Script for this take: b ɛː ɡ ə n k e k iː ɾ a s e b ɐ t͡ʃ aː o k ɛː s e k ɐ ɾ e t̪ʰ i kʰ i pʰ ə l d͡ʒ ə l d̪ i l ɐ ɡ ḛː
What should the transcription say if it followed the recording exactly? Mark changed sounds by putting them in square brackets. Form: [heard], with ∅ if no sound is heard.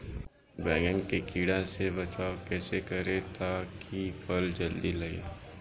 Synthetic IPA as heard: b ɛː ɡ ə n k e k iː [ɽ] a s e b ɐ t͡ʃ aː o k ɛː s e k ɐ ɾ e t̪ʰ [a] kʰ i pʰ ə l d͡ʒ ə l d̪ i l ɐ ɡ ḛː